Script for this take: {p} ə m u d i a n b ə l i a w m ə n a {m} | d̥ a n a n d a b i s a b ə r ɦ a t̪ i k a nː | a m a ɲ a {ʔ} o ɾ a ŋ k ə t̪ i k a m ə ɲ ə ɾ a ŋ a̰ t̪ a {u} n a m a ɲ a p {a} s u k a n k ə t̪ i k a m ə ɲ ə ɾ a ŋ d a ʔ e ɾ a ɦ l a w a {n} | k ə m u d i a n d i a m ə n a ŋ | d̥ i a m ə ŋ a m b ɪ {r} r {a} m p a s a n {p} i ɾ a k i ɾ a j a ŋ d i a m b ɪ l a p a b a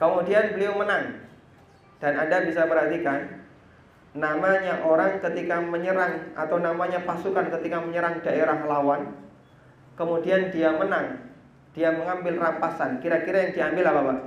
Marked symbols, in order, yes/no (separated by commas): no, no, yes, no, yes, yes, no, yes, no